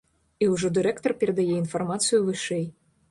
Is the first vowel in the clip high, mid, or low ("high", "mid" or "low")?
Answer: high